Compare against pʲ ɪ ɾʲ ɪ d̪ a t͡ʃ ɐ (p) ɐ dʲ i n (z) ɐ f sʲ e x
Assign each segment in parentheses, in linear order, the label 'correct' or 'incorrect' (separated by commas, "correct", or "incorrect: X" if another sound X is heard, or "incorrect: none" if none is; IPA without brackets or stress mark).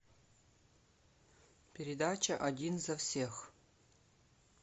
incorrect: ʔ, correct